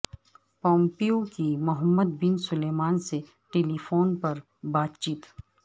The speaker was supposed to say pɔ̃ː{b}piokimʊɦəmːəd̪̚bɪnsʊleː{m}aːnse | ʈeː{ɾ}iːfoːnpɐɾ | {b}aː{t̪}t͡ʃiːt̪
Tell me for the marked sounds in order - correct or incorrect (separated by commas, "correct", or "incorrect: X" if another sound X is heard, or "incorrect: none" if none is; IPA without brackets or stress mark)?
incorrect: m, correct, incorrect: l, correct, correct